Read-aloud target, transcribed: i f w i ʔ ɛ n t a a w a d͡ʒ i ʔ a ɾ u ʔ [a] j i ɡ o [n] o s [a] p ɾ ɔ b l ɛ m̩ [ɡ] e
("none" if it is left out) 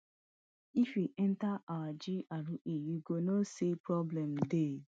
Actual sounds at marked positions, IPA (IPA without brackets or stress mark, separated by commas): e, n, e, d